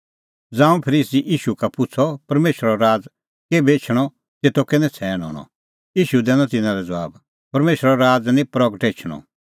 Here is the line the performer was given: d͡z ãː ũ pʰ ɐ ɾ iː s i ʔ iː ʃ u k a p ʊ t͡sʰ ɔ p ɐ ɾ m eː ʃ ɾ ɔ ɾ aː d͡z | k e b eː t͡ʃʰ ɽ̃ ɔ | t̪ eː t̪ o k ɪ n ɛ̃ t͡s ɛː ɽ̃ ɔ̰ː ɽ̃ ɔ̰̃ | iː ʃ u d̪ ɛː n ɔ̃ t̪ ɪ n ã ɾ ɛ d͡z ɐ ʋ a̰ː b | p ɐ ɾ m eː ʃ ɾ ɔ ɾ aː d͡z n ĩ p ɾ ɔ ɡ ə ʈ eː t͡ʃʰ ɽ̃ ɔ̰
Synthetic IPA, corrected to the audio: d͡z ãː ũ pʰ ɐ ɾ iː s i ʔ iː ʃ u k a p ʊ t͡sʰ ɔ p ɐ ɾ m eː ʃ ɾ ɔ ɾ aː d͡z | k e b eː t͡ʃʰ ɽ̃ ɔ | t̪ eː t̪ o k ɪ n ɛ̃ t͡sʰ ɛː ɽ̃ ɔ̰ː ɽ̃ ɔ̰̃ | iː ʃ u d̪ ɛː n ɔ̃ t̪ ɪ n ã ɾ ɛ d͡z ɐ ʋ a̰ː b | p ɐ ɾ m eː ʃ ɾ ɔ ɾ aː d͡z n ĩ p ɾ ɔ ɡ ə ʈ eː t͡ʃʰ ɽ̃ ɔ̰